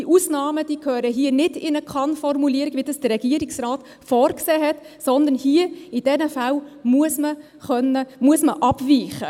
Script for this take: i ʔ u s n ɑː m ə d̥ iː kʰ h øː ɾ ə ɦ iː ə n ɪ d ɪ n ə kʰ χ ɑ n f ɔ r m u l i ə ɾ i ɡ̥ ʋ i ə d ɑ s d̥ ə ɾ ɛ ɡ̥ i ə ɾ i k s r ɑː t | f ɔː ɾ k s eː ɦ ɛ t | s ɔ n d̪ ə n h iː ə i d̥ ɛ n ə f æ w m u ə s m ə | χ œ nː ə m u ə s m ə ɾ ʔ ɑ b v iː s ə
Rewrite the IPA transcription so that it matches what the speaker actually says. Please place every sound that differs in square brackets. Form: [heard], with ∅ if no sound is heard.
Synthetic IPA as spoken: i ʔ u s n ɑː m ə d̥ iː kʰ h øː ɾ ə ɦ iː ə n ɪ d ɪ n ə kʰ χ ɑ n f ɔ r m u l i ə ɾ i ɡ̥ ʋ i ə d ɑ s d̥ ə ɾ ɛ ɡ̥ i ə ɾ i k s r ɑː t | f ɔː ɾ k s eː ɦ ɛ t | s ɔ n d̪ ə n h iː ə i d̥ ɛ n ə f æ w m u ə s m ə | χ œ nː ə m u ə s m ə [∅] ʔ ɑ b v iː [χ] ə